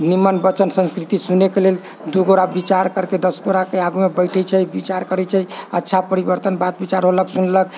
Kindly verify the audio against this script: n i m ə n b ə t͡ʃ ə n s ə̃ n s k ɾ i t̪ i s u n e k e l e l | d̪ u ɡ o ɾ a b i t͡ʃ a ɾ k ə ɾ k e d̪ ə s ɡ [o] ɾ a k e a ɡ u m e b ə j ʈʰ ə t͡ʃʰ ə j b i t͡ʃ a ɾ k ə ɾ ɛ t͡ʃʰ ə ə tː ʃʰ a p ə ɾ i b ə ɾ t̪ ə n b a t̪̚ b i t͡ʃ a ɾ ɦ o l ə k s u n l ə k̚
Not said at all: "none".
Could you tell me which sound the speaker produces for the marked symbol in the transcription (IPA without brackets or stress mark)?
o